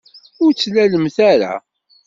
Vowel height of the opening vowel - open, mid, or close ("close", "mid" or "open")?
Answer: close